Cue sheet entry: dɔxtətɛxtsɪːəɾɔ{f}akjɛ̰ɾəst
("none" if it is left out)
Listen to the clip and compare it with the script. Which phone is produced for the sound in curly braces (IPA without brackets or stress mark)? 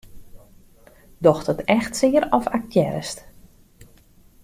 f